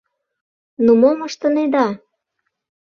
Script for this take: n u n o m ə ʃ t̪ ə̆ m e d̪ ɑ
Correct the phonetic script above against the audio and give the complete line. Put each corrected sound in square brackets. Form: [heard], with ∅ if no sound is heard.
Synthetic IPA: n u [m] o m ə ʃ t̪ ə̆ [n] e d̪ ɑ

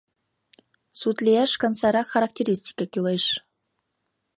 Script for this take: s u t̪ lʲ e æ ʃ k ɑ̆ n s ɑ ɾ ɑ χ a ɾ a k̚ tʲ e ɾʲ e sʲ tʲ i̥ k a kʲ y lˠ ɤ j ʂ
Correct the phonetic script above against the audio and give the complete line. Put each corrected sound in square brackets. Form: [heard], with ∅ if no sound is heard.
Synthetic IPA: s u t̪ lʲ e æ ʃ k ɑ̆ n s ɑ ɾ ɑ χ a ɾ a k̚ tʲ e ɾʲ [i] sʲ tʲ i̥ k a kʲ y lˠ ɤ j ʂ

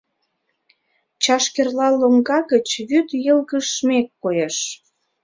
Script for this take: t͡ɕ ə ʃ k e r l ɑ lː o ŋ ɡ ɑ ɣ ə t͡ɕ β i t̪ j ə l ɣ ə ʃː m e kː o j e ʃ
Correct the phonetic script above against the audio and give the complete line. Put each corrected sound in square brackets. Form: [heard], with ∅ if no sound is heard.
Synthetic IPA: t͡ɕ [ɑ] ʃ k e r l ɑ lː o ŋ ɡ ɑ ɣ ə t͡ɕ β [y] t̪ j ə l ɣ ə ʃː m e kː o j e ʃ

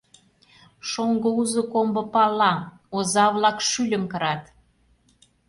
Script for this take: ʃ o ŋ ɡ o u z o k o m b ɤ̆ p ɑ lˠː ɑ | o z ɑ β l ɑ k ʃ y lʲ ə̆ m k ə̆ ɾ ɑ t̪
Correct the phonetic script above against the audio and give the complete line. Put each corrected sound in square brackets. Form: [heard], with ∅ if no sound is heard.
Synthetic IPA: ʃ o ŋ ɡ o u z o k o m b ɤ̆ p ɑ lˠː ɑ | o z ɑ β l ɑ k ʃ y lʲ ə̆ m k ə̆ ɾ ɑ t̪

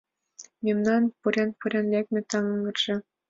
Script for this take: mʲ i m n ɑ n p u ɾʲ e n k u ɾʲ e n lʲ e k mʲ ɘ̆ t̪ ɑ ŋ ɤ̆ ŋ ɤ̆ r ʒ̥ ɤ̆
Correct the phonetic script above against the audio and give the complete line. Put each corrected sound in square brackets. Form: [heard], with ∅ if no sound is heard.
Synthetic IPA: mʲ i m n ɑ n p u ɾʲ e n [p] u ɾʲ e n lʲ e k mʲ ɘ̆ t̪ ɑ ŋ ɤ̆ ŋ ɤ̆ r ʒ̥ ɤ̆

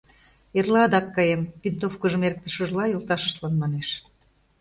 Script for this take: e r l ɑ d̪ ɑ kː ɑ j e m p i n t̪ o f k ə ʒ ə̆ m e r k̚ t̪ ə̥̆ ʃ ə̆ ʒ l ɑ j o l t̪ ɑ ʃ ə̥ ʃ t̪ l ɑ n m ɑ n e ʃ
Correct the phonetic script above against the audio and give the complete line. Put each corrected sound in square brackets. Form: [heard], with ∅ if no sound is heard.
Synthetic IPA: e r l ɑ d̪ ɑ kː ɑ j e m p i n t̪ o f k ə ʒ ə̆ m e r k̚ t̪ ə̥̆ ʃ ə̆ ʒ l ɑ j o l t̪ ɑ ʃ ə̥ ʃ t̪ l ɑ n m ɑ n e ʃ

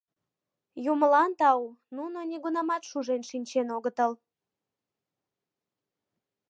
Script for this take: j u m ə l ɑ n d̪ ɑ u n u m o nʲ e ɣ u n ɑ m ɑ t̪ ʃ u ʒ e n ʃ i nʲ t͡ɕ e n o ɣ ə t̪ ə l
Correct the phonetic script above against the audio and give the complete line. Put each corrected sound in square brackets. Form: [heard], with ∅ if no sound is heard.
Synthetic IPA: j u m ə l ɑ n [t̪] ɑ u n u [n] o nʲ e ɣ u n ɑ m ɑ t̪ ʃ u ʒ e n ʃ i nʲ t͡ɕ e n o ɣ ə t̪ ə l

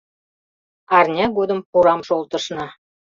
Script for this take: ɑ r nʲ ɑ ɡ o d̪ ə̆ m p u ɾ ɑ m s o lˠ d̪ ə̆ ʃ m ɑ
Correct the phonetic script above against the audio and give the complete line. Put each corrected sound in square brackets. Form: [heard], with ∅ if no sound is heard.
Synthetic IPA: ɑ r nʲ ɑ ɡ o d̪ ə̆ m p u ɾ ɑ m [ʃ] o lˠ [t̪] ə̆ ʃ [n] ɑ

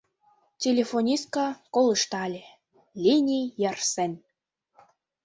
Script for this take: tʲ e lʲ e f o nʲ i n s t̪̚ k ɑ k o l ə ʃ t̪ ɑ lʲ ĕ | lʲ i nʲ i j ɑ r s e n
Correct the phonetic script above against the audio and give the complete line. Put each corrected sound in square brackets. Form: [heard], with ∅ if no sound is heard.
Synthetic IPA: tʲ e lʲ e f o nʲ i [∅] s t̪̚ k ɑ k o l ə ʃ t̪ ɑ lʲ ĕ | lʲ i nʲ i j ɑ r s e n

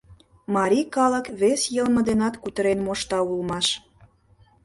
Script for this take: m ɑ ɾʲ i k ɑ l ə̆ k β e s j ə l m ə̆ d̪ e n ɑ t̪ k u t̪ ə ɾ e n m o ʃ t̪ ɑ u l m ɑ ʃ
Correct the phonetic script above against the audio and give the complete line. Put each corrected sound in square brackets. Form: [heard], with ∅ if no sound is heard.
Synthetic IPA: m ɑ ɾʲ i k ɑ l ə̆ k β e s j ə l m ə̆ d̪ e n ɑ t̪ k u t̪ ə ɾ e n m o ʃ t̪ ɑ u l m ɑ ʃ

